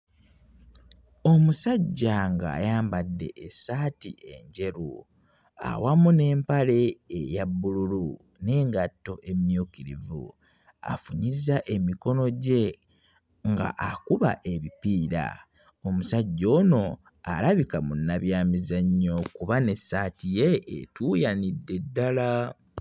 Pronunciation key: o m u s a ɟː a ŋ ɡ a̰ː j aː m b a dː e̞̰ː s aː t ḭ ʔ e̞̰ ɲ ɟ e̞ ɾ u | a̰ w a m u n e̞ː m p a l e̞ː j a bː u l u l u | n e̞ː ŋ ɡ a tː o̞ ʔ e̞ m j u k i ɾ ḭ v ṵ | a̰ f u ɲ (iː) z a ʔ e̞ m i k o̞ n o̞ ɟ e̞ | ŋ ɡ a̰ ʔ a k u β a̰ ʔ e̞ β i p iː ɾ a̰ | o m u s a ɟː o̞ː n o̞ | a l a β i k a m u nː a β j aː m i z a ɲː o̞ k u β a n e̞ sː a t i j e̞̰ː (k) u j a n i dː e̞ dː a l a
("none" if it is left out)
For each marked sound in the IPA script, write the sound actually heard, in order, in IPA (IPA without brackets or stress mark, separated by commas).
i, t